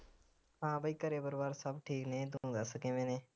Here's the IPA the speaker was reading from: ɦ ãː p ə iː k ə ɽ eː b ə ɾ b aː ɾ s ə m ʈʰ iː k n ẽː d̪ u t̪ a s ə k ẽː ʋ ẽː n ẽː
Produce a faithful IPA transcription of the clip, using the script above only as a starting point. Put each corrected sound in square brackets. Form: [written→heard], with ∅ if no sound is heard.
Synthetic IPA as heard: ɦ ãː [p→b] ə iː k ə [ɽ→ɾ] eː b ə ɾ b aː ɾ s ə [m→b] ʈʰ iː k n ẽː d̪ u [t̪→d̪] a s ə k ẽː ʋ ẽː n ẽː